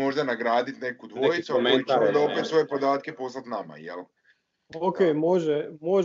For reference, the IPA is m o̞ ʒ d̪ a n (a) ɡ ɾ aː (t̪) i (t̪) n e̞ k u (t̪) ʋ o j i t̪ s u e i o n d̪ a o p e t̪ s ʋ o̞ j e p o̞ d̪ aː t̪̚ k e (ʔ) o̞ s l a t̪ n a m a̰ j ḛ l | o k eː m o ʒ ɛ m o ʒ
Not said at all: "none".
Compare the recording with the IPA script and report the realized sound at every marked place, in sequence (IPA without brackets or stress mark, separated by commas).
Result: a, d̪, t̪, d̪, p